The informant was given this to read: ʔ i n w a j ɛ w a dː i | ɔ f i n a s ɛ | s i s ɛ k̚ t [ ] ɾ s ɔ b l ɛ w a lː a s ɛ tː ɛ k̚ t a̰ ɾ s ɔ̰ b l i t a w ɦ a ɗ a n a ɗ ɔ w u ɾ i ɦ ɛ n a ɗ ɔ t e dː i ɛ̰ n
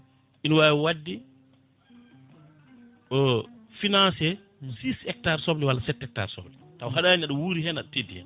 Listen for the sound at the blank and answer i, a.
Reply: a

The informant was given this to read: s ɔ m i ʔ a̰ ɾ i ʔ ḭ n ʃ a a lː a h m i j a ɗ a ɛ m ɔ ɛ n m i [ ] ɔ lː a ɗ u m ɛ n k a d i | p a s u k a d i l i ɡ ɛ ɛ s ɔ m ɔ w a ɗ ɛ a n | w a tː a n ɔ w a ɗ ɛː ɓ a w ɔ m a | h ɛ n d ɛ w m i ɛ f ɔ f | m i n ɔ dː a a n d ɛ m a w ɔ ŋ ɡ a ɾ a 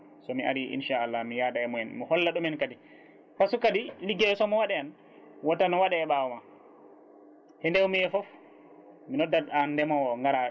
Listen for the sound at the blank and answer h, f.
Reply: h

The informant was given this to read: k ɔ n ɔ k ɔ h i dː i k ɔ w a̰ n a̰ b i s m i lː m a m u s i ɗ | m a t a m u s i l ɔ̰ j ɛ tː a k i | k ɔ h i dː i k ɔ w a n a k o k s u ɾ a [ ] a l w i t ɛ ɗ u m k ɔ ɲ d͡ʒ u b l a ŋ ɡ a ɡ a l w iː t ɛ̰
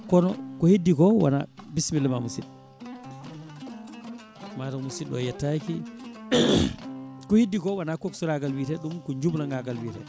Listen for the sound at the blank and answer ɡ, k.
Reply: ɡ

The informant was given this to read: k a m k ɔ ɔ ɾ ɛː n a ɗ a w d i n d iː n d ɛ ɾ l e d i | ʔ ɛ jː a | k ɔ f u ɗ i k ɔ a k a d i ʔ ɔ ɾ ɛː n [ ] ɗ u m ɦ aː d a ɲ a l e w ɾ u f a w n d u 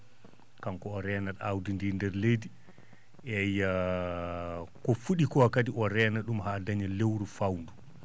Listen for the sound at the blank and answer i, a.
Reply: a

